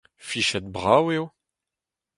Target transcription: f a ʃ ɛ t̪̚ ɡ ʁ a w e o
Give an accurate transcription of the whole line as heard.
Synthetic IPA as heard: f i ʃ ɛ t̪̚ b ʁ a w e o